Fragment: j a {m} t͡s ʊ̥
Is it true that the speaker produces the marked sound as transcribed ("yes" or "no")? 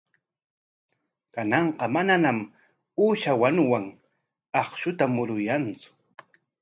no